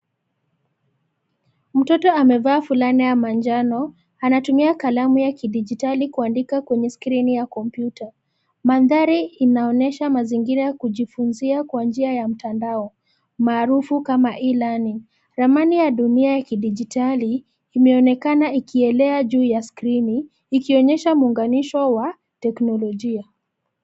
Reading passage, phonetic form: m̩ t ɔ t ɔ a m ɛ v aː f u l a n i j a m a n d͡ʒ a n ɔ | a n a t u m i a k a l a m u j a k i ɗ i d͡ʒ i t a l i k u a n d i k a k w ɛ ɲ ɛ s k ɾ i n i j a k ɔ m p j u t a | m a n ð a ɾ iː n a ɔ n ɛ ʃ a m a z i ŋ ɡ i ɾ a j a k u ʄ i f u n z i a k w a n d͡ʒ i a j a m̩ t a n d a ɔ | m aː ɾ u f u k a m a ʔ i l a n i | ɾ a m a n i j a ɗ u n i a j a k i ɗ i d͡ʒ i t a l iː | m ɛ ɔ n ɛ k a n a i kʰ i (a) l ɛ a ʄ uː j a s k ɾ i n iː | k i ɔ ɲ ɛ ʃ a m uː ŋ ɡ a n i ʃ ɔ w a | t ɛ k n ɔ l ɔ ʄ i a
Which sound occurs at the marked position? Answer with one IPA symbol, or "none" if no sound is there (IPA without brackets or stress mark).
ɛ